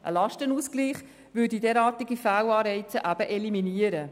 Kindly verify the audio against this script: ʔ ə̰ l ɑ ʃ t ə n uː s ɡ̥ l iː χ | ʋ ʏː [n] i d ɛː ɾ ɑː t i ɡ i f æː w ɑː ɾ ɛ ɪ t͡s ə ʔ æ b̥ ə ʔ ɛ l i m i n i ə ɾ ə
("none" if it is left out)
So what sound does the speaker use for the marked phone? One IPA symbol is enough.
d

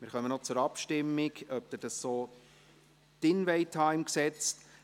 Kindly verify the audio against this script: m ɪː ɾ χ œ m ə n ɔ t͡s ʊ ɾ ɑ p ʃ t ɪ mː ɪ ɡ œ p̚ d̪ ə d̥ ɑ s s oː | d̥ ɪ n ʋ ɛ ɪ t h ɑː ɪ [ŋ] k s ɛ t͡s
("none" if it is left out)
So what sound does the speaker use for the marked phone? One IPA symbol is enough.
m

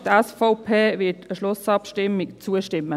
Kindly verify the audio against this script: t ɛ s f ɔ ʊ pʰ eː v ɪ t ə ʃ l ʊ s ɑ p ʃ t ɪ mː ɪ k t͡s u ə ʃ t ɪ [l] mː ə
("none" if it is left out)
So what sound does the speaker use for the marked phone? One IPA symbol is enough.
none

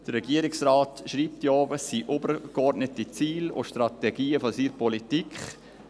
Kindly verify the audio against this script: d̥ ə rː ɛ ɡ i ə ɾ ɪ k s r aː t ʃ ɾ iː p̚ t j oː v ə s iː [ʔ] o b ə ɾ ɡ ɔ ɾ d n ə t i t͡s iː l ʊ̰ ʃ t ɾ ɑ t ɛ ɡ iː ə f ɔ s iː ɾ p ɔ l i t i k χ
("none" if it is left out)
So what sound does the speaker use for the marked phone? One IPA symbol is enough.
ʔ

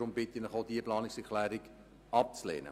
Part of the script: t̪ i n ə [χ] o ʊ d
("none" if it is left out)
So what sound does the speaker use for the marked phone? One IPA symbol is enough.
χ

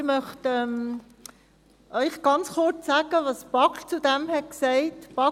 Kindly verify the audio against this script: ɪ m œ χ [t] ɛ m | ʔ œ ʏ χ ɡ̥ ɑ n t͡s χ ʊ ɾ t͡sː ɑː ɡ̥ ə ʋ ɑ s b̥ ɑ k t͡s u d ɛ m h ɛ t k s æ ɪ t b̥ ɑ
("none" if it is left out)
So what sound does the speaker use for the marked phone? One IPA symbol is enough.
t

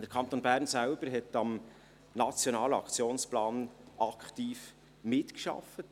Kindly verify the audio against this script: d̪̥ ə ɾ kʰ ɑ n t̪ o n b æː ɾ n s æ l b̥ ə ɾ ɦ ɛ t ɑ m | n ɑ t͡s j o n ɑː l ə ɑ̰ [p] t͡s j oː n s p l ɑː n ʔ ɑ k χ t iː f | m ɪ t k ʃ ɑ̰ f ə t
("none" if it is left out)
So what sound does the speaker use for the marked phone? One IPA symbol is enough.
k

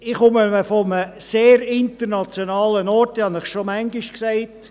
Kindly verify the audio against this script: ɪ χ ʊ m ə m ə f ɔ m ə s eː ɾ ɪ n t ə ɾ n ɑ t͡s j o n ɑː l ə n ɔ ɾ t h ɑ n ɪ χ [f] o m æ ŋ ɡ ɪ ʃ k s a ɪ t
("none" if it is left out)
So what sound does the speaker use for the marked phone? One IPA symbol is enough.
ʃ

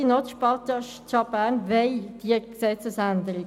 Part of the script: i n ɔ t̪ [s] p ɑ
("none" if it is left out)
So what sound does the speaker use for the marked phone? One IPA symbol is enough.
ʃ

